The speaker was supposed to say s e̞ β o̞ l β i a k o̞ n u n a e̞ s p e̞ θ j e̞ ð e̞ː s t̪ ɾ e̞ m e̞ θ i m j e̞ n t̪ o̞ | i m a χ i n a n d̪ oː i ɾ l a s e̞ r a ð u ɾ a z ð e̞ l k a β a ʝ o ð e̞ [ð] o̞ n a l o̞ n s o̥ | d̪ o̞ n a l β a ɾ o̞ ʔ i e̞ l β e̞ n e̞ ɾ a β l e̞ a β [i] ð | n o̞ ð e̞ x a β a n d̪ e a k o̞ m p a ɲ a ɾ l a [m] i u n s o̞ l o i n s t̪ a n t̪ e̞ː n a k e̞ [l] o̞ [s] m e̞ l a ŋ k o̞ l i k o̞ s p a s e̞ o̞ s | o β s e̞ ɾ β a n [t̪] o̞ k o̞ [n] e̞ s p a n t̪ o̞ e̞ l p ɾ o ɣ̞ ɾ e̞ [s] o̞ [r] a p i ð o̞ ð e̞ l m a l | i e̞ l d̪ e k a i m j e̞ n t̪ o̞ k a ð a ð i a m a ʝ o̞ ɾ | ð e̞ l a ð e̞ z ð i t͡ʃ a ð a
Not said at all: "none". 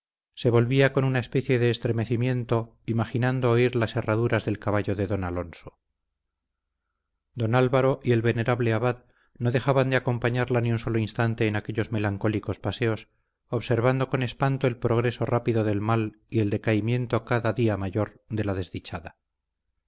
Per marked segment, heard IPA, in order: ð, a, n, ʎ, z, d̪, n, s, r

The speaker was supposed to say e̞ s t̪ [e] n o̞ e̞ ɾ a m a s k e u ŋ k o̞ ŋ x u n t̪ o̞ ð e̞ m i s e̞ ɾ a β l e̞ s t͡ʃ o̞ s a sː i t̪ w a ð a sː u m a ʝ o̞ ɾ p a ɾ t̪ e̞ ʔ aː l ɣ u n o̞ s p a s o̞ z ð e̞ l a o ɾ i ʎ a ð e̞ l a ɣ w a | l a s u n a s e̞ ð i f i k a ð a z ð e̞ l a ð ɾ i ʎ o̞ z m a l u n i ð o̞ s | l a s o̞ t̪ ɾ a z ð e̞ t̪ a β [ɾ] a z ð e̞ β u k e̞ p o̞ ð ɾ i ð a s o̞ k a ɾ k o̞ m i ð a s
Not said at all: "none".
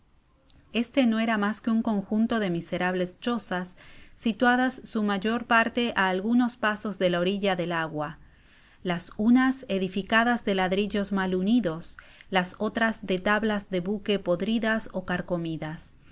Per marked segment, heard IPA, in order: e, l

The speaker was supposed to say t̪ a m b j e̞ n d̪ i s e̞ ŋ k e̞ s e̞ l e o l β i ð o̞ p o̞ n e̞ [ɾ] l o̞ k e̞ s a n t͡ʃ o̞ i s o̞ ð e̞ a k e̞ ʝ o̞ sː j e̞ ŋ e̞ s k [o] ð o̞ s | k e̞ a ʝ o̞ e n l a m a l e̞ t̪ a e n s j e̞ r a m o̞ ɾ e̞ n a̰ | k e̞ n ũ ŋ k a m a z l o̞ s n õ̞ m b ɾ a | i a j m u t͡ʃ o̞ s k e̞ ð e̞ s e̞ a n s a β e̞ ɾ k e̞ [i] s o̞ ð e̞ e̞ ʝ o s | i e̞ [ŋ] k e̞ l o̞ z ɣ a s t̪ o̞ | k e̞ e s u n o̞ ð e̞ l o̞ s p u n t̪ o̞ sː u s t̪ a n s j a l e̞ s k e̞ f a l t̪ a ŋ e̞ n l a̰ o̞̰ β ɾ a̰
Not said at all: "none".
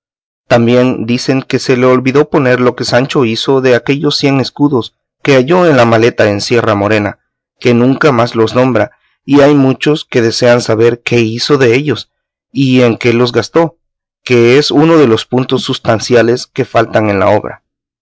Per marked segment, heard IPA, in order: ɾ, u, i, ŋ

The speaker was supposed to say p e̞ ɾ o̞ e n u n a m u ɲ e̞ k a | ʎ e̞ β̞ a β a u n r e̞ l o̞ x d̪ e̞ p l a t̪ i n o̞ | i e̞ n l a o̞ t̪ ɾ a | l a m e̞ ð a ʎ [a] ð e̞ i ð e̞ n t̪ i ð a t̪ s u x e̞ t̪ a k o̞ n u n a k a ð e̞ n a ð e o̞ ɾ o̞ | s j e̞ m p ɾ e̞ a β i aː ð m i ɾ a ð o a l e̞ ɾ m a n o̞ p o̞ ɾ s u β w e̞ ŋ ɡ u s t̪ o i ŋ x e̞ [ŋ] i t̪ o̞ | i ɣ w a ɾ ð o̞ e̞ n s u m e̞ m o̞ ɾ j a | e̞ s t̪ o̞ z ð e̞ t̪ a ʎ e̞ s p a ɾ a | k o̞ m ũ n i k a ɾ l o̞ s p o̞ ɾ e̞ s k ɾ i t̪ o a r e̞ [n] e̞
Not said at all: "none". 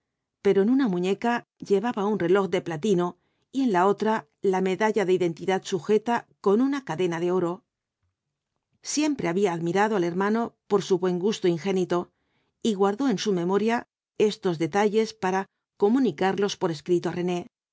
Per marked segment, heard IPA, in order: a, n, n

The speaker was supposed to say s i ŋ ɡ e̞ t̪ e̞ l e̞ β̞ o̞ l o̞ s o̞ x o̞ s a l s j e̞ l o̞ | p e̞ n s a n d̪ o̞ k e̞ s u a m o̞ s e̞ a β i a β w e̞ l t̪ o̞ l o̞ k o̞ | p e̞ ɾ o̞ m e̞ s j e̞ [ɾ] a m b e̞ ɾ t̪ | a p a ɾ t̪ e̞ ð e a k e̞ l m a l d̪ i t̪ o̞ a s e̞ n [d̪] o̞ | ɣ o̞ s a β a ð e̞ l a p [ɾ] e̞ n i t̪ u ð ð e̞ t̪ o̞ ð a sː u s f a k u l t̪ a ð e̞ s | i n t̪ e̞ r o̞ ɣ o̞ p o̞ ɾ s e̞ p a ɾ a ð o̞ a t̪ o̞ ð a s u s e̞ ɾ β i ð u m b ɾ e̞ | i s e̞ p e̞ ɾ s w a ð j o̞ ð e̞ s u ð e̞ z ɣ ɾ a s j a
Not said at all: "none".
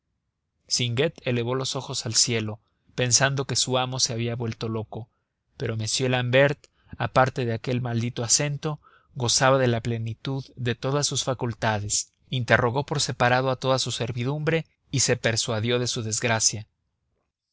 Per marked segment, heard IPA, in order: l, t̪, l

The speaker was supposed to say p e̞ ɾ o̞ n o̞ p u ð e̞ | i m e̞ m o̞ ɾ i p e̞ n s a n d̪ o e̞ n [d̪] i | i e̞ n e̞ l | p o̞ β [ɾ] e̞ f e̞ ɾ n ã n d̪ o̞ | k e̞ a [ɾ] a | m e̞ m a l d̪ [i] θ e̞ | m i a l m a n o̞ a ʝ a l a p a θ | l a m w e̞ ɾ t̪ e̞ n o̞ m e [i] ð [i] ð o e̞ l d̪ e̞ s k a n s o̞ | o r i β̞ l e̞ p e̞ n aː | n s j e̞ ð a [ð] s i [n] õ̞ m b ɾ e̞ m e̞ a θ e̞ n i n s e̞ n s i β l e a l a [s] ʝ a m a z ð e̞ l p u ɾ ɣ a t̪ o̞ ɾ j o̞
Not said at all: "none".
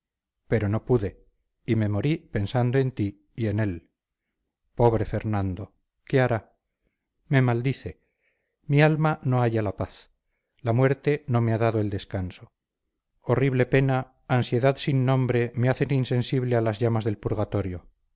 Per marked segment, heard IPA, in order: t̪, ɾ, ɾ, i, a, a, ð, nː, z

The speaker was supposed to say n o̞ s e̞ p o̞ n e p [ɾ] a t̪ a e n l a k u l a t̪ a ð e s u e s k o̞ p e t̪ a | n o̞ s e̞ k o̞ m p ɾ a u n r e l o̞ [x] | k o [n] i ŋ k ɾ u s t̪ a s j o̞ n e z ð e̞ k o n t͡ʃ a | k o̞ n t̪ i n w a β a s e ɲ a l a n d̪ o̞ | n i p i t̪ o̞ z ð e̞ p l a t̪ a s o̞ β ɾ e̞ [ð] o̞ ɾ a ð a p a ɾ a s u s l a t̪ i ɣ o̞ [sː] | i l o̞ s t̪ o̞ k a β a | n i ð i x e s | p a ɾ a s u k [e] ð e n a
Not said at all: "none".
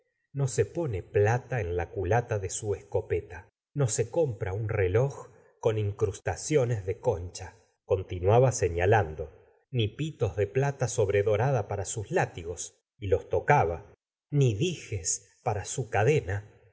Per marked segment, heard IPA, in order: l, x, n, ð, s, a

